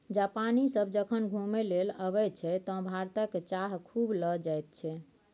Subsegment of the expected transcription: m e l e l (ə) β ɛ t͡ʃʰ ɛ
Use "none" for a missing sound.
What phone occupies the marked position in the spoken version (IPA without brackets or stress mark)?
ə